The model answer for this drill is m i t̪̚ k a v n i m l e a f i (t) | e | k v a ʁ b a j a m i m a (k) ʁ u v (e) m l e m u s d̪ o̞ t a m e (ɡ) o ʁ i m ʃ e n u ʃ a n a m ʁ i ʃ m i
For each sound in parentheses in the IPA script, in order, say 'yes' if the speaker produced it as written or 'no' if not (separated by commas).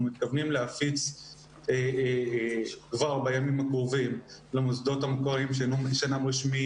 no, yes, no, no